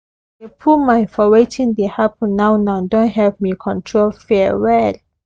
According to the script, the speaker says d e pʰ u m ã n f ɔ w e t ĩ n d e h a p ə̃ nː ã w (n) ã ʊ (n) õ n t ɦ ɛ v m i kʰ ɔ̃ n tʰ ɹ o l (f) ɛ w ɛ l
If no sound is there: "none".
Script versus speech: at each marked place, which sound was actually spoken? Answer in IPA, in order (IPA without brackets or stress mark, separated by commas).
n, d, f